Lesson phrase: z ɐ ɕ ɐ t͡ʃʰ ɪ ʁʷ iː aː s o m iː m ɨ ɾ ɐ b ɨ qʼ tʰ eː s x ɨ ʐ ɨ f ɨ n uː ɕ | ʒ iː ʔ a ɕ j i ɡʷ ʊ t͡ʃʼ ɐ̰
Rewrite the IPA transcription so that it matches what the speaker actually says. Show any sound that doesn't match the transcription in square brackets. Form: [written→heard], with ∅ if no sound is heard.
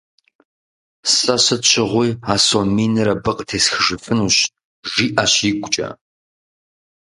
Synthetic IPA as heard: [z→s] ɐ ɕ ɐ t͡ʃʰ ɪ ʁʷ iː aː s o m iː [m→n] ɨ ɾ ɐ b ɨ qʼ tʰ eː s x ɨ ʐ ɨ f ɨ n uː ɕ | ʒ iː ʔ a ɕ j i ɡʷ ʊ t͡ʃʼ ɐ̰